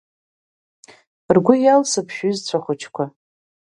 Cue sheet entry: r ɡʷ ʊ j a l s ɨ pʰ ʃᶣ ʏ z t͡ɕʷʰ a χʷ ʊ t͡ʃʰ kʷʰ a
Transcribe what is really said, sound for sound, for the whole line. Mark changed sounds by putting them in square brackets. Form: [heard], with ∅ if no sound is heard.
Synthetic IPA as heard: r ɡʷ ʊ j a l s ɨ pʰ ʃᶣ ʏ z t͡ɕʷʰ a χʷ ʊ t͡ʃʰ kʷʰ a

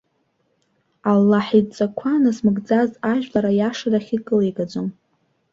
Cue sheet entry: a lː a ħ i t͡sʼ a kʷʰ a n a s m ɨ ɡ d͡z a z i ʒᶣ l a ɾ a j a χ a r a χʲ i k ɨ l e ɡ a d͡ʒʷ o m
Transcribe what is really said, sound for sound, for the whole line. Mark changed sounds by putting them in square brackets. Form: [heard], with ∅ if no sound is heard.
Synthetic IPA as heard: a lː a ħ i t͡sʼ a kʷʰ a n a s m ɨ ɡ d͡z a z [a] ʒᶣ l a ɾ a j a [ʂ] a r a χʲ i [kʼ] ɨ l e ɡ a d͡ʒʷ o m

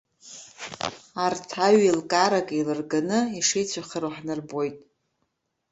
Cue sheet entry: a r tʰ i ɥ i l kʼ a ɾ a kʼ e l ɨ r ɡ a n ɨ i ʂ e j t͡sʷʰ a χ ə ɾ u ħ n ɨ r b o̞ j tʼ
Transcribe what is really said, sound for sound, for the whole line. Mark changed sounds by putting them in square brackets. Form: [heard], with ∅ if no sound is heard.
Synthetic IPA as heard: a r tʰ [a] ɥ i l kʼ a ɾ a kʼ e l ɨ r ɡ a n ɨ i ʂ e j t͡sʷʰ a χ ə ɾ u ħ n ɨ r b o̞ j tʼ

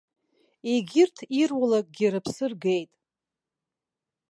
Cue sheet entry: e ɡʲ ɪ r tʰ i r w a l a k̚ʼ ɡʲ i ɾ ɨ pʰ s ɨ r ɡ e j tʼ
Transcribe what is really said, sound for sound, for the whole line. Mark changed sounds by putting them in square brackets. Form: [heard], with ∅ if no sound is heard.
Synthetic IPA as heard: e ɡʲ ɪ r tʰ i r w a l a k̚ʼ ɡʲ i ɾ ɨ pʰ s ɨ r ɡ e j tʼ

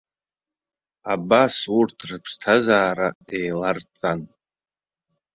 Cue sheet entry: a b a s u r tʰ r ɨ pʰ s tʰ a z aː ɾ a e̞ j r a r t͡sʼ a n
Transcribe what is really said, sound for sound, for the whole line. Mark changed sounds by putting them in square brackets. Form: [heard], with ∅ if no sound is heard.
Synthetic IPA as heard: a b a s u r tʰ r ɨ pʰ s tʰ a z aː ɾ a e̞ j [l] a r t͡sʼ a n

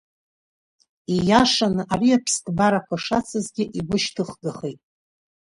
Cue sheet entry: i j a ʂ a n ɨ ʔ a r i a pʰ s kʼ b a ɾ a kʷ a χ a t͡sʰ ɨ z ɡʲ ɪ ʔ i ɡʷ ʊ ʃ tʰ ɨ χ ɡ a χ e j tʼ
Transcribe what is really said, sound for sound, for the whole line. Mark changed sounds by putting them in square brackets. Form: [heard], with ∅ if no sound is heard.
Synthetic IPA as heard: i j a ʂ a n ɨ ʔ a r i a pʰ s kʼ b a ɾ a kʷ a [ʂ] a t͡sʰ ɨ z ɡʲ ɪ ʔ i ɡʷ ʊ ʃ tʰ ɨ χ ɡ a χ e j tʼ

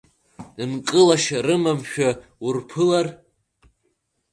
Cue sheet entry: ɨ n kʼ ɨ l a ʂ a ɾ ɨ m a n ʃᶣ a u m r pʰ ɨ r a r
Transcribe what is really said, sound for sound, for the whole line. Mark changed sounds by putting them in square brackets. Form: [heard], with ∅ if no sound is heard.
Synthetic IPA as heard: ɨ n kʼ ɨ l a [ʃ] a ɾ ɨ m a [m] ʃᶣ a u [∅] r pʰ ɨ [l] a r

